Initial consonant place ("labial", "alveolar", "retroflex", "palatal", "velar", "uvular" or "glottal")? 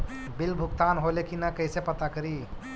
labial